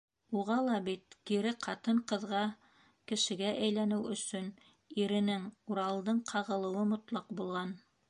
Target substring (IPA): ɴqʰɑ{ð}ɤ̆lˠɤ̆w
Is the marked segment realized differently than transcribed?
yes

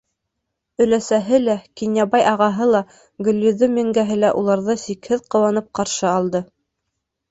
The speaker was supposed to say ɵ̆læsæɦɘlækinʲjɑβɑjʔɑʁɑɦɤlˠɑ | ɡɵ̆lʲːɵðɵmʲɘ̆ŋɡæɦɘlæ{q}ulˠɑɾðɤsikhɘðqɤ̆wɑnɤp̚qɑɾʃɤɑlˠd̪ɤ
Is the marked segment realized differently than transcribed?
yes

